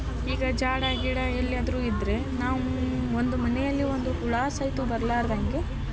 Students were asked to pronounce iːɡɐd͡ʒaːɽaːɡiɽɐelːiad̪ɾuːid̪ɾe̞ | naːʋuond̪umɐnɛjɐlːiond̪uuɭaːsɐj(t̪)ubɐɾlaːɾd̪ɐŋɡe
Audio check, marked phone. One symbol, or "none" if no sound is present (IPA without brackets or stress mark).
t̪